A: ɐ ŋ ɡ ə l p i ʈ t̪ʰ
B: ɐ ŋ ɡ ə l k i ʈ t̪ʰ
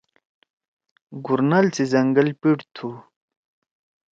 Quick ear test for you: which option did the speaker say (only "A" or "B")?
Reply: A